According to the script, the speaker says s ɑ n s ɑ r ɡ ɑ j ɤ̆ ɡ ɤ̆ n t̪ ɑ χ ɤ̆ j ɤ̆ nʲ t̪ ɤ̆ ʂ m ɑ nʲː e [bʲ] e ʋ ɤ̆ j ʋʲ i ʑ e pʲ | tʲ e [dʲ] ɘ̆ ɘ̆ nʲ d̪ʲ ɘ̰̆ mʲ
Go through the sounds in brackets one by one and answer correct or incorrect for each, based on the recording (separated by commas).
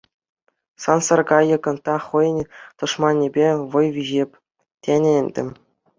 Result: correct, incorrect